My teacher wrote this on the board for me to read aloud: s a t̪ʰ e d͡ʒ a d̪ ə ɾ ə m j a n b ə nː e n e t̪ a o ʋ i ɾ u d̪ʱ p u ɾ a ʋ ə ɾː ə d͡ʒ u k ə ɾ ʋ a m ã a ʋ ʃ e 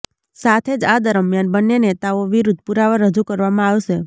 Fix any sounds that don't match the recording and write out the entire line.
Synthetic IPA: s a t̪ʰ e d͡ʒ a d̪ ə ɾ ə m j a n b ə nː e n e t̪ a o ʋ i ɾ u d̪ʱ p u ɾ a ʋ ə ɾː ə d͡ʒ u k ə ɾ ʋ a m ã a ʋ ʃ e